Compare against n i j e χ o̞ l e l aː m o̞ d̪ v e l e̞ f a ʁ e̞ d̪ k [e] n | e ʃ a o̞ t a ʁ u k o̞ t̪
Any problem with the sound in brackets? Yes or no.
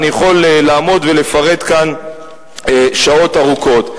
yes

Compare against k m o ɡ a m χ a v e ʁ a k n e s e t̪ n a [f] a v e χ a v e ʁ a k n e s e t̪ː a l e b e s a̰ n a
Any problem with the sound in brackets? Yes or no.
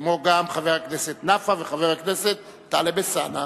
no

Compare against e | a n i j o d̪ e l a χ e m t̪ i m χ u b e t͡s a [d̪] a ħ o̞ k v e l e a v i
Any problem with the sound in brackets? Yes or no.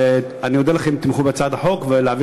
no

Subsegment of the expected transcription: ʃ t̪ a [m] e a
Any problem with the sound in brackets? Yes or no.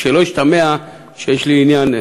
no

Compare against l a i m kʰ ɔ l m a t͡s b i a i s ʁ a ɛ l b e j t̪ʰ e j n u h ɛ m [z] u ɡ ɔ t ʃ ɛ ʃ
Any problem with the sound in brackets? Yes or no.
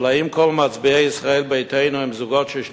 no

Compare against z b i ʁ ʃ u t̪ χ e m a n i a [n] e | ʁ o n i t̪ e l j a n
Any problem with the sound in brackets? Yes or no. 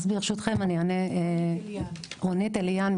no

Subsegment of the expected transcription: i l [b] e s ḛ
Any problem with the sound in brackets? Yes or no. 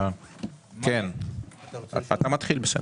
no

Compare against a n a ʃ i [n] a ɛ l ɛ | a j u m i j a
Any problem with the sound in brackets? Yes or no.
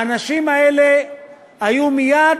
yes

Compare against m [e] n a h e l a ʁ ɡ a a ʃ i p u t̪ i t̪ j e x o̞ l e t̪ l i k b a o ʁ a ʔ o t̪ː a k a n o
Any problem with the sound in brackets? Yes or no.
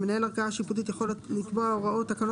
no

